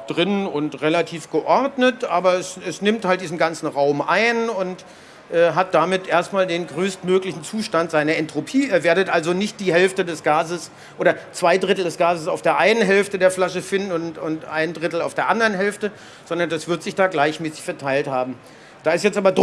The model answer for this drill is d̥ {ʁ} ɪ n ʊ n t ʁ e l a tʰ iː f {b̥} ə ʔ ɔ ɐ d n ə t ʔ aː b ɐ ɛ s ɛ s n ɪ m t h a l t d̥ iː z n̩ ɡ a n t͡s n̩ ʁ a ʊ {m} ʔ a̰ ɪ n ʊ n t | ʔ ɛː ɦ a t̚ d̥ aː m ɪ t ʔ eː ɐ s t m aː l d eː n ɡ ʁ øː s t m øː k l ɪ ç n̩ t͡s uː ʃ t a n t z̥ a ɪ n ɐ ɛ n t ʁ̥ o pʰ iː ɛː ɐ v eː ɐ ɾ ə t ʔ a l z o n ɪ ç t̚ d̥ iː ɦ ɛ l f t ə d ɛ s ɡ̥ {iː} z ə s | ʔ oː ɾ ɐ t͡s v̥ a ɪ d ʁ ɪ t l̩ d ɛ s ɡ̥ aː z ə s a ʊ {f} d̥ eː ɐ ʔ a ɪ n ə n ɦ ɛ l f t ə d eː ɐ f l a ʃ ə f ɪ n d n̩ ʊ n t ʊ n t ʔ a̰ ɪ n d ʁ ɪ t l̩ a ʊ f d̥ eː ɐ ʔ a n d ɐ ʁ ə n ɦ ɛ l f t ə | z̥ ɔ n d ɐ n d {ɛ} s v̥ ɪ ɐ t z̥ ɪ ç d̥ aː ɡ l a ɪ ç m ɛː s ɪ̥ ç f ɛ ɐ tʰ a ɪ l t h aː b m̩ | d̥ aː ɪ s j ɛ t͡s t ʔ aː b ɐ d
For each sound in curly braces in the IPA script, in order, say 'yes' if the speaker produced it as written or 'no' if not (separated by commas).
yes, no, yes, no, yes, no